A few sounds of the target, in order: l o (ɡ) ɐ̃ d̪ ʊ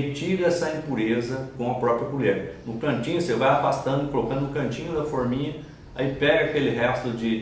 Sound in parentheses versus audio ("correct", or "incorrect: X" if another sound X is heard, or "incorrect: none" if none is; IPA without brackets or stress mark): incorrect: k